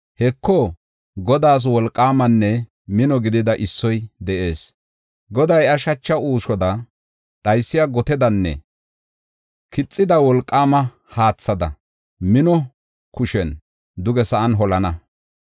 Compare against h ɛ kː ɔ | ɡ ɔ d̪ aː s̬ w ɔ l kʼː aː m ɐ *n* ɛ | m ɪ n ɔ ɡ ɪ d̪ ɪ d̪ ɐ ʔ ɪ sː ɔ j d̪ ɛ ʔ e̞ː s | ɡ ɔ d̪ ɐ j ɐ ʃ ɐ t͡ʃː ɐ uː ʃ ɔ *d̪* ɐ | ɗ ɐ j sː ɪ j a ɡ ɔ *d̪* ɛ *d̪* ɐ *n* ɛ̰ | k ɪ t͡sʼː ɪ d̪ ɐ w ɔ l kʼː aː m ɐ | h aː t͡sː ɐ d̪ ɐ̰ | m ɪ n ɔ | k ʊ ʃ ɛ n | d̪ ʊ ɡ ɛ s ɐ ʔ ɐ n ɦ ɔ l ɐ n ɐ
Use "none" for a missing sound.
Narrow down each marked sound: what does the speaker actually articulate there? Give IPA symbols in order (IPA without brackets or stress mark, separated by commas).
nː, d̪, t̪, d̪, nː